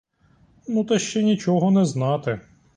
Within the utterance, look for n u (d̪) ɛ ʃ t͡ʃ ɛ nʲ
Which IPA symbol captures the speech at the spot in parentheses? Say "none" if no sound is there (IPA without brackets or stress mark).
t̪